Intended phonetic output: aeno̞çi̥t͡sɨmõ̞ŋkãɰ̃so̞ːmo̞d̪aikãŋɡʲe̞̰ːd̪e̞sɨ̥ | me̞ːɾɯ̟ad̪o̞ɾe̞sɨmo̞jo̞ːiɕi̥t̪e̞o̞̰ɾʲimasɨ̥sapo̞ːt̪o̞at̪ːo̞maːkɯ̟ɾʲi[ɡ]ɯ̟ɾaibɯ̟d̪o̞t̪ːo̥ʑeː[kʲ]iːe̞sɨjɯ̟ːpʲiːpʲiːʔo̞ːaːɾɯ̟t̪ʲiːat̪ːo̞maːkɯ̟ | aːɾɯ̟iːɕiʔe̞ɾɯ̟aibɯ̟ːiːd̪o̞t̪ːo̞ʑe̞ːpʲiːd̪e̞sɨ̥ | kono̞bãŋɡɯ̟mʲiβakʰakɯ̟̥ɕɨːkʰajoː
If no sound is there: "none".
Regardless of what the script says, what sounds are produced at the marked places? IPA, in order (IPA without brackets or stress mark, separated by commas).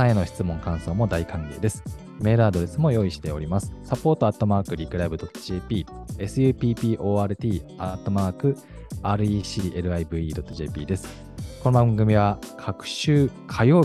k, pʲ